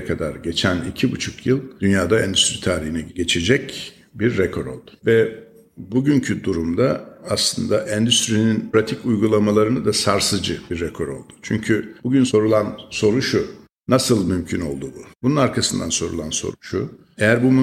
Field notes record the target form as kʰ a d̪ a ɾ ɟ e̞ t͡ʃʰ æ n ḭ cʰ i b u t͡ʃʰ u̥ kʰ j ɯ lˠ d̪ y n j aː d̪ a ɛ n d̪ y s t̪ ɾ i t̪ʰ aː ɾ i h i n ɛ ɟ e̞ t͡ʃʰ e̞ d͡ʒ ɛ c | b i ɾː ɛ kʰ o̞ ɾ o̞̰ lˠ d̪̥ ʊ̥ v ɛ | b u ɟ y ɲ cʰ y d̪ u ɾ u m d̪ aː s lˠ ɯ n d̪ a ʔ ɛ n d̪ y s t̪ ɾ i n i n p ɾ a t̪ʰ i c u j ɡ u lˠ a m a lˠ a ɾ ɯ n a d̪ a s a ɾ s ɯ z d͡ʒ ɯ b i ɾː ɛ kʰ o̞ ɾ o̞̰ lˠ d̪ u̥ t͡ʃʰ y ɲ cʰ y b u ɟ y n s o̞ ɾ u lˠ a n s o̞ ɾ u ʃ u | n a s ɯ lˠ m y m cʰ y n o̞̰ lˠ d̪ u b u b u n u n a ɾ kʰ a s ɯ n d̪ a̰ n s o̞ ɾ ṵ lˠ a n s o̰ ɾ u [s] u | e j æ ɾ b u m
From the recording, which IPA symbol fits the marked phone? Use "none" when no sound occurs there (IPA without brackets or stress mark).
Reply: ʃ